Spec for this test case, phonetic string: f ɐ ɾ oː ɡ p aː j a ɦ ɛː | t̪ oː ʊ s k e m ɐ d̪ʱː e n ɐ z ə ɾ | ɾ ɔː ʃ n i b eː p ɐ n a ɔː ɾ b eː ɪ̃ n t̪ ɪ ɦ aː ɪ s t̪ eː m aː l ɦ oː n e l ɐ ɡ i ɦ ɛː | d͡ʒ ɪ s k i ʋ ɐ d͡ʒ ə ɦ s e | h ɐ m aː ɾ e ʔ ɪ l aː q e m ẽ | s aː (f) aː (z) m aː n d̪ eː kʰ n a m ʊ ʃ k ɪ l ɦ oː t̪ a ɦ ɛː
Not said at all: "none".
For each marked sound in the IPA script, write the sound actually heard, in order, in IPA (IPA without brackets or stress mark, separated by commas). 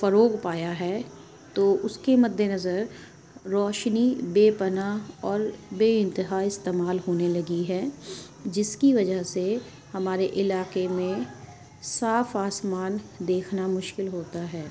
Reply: f, s